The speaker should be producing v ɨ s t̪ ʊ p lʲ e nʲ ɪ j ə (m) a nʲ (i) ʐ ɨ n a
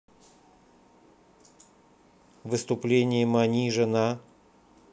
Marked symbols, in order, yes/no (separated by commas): yes, yes